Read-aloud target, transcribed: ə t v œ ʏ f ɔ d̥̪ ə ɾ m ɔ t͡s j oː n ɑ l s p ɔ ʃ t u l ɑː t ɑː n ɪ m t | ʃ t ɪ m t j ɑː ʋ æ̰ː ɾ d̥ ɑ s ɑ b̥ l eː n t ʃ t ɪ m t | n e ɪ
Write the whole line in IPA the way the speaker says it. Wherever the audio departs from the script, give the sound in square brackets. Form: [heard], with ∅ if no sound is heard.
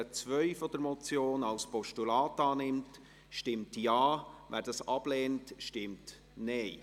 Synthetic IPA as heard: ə [t͡s] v œ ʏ f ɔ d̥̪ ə ɾ m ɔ t͡s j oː n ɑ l s p ɔ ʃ t u l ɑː t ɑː n ɪ m t | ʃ t ɪ m t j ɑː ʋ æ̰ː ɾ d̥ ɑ s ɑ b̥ l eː n t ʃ t ɪ m t | n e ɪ